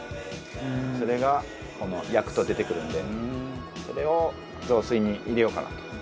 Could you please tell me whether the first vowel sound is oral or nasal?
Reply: oral